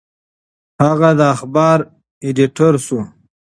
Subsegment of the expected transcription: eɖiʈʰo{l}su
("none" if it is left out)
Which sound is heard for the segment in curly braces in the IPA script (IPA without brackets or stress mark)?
ɾ